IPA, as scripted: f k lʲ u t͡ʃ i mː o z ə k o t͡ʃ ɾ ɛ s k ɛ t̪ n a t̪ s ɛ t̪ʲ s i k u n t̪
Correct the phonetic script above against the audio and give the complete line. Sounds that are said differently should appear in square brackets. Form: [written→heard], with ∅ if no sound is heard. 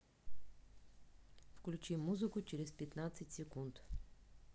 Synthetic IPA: f k lʲ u t͡ʃ i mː [o→u] z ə k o t͡ʃ ɾ ɛ s [k→p] ɛ t̪ n a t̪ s ɛ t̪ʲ s [i→ɛ] k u n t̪